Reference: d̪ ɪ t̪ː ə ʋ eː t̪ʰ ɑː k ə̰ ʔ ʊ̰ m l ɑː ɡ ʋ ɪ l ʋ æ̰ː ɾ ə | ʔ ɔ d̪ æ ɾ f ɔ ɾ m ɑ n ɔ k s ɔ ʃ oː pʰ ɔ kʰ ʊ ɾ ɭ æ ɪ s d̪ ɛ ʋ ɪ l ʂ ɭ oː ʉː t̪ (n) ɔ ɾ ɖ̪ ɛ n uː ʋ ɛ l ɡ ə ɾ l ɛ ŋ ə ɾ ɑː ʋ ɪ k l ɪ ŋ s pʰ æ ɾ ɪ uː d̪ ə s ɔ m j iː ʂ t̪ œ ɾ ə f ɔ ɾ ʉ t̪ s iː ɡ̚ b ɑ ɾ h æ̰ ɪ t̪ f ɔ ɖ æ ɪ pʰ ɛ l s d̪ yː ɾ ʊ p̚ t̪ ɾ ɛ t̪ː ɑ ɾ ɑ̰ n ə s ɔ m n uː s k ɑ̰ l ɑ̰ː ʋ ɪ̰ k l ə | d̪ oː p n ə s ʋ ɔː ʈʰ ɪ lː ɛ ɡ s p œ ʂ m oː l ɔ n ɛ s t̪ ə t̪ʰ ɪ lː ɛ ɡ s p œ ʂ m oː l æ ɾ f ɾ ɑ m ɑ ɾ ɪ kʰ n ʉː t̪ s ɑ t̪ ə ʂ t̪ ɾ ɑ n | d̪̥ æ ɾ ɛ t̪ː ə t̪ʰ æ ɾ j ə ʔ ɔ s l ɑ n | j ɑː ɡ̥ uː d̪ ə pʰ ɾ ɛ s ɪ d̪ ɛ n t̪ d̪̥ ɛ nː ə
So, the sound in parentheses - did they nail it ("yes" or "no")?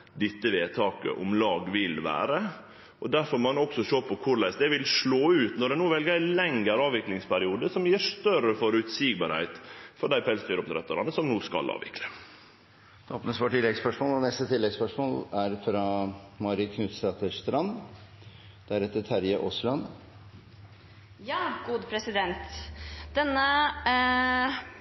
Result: yes